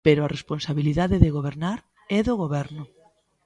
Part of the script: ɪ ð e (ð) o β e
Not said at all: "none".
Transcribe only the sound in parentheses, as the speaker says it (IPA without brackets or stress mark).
ɣ